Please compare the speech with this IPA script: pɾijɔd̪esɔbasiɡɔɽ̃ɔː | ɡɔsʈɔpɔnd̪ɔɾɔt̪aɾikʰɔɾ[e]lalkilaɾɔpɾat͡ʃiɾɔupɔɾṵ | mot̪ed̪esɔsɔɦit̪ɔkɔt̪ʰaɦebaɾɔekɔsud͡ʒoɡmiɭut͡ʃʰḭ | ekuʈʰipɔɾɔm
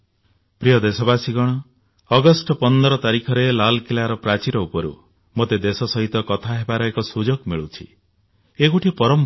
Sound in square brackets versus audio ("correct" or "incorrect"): correct